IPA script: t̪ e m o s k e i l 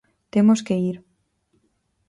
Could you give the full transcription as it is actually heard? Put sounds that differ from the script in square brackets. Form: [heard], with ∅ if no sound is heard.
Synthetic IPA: t̪ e m o s k e i [ɾ]